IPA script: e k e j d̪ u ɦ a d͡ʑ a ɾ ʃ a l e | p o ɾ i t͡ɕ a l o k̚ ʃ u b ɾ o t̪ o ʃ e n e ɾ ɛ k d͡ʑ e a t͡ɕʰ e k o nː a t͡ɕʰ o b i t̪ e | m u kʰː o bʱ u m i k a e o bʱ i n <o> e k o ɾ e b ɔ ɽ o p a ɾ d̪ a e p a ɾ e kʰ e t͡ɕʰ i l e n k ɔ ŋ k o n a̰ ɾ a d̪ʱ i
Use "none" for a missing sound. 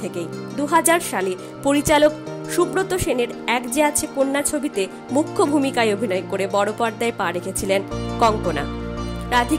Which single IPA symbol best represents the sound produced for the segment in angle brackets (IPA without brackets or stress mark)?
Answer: ɔ